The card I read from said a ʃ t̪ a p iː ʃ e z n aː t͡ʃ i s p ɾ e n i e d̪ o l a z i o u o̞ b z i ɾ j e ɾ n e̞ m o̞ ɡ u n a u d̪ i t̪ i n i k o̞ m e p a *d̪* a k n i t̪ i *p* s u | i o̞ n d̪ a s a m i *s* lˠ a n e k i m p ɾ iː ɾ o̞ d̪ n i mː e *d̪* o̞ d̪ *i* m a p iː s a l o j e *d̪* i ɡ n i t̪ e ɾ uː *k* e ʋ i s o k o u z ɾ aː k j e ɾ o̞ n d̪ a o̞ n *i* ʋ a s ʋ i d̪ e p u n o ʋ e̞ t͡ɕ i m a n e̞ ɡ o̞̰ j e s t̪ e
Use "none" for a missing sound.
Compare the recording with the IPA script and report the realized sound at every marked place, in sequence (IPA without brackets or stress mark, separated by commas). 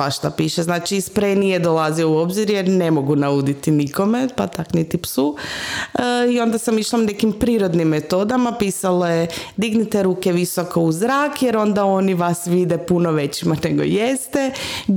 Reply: t̪, p, ʃ, t̪, a, d̪, k, i